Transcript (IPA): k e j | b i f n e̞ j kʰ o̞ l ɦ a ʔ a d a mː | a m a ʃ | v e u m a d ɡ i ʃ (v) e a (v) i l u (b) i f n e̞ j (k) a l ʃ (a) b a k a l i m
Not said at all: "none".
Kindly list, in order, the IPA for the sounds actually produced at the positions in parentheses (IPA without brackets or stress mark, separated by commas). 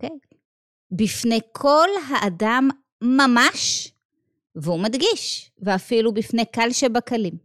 v, f, b, k, e